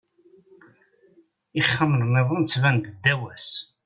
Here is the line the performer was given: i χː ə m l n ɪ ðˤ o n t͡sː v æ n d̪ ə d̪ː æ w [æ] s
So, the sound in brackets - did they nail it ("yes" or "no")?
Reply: yes